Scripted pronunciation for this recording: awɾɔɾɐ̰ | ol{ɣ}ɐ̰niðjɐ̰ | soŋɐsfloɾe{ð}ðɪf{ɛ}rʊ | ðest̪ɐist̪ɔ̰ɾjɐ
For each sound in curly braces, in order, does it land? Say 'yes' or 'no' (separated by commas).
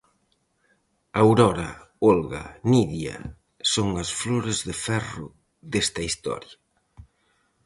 yes, no, yes